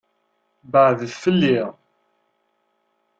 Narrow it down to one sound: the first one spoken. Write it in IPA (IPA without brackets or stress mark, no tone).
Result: b